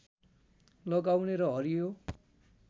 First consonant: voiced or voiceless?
voiced